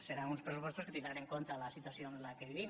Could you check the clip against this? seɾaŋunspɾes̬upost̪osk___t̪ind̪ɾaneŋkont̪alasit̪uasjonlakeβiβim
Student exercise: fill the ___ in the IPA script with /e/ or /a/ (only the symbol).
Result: e